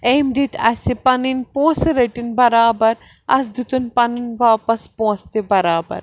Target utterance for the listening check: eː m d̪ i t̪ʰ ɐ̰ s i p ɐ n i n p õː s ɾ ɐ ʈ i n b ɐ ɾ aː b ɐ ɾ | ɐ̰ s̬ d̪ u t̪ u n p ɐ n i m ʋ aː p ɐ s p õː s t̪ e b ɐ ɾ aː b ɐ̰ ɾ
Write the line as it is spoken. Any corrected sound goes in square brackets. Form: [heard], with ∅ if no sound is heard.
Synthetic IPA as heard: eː m d̪ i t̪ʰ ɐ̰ s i p ɐ n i n p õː s ɾ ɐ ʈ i n b ɐ ɾ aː b ɐ ɾ | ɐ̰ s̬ d̪ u t̪ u n p ɐ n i [n] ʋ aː p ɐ s p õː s t̪ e b ɐ ɾ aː b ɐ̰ ɾ